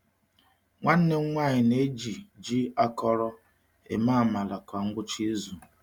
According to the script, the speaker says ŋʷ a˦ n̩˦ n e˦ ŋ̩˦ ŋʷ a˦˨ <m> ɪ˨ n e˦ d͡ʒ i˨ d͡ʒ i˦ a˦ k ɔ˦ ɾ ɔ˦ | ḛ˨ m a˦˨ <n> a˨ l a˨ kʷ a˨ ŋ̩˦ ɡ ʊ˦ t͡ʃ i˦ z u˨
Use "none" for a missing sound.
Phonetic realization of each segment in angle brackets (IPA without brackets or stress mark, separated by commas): ɲ, m